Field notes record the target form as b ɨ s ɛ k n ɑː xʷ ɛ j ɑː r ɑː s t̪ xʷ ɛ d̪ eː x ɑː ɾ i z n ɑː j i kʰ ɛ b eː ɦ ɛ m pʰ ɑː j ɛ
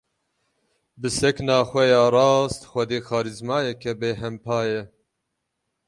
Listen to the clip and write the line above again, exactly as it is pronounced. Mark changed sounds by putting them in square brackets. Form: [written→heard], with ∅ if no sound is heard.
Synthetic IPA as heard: b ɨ s ɛ k n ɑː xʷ ɛ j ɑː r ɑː s t̪ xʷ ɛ d̪ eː x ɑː ɾ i z [n→m] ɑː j [i→ɛ] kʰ ɛ b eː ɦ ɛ m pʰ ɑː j ɛ